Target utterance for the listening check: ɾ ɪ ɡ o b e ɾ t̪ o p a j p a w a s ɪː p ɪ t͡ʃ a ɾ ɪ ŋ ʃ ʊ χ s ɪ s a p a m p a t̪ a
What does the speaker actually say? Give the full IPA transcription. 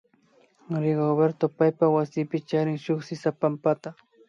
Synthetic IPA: ɾ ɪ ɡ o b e ɾ t̪ o p a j p a w a s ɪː p ɪ t͡ʃ a ɾ ɪ ŋ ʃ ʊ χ s ɪ s a p a m p a t̪ a